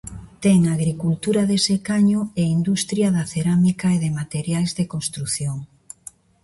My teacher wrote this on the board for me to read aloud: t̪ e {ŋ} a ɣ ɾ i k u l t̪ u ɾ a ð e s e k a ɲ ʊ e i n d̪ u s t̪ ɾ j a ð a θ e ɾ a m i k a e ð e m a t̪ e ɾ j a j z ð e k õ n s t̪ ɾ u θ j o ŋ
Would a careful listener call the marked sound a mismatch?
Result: no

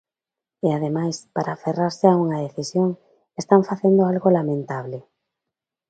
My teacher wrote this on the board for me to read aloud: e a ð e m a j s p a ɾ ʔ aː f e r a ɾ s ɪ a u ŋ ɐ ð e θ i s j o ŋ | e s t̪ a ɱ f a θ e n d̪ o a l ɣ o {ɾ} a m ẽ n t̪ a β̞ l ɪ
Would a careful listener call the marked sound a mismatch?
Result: yes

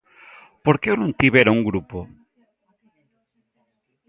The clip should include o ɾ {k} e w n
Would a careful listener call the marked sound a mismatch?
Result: no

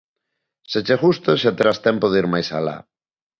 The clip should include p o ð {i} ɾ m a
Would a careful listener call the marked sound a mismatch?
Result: no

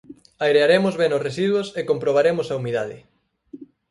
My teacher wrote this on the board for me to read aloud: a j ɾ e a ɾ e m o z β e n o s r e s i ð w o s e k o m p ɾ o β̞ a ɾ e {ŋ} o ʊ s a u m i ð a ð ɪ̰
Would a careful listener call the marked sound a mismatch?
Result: yes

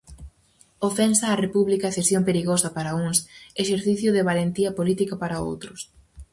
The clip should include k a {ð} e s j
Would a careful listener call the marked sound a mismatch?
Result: yes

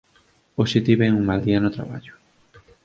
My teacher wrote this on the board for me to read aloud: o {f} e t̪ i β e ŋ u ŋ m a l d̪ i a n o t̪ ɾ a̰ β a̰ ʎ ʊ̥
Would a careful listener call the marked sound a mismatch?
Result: yes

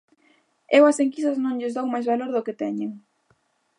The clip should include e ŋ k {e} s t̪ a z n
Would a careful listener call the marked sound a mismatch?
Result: yes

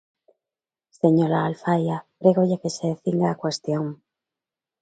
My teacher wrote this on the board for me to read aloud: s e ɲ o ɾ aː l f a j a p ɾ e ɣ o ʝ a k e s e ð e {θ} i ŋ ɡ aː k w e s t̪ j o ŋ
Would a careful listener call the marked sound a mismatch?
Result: no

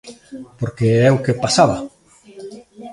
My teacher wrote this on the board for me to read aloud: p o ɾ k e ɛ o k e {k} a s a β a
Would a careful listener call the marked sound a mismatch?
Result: yes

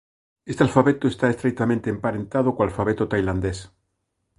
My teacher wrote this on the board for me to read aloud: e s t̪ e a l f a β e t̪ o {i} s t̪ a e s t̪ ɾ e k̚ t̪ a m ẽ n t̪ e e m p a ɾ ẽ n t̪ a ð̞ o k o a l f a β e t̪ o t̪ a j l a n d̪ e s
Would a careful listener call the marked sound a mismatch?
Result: yes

